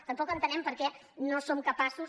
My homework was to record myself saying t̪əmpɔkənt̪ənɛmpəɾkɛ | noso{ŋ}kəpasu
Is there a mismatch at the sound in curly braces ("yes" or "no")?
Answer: yes